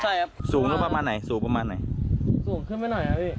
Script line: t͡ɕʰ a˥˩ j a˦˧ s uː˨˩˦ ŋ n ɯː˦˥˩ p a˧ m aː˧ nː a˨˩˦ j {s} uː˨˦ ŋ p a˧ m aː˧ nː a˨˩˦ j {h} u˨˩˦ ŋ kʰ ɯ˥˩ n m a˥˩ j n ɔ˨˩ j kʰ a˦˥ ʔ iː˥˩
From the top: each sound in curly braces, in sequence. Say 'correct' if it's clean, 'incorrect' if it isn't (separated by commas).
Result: correct, incorrect